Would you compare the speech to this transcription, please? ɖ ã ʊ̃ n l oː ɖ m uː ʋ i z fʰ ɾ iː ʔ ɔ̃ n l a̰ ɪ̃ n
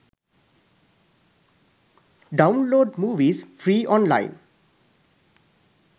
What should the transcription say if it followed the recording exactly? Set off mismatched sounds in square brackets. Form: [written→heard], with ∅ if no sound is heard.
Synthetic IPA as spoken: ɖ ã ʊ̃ n l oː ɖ m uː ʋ i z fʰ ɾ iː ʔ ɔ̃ n l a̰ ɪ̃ n